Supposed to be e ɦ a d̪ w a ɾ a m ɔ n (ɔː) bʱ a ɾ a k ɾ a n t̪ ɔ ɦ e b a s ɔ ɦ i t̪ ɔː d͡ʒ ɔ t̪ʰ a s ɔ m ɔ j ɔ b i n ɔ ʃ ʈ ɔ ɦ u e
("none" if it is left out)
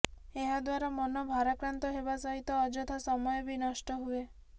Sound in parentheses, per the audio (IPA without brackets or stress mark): ɔ